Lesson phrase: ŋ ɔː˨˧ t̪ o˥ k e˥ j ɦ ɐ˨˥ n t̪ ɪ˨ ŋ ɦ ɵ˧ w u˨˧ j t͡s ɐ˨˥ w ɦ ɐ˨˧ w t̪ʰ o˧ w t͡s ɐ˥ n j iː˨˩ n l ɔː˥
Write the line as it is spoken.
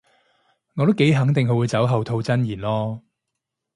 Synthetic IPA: ŋ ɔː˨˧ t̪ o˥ k e˨˥ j ɦ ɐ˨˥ ŋ t̪ ɪ˨ ŋ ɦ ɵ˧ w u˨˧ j t͡s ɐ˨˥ w ɦ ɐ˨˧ w t̪ʰ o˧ w t͡s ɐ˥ n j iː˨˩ n l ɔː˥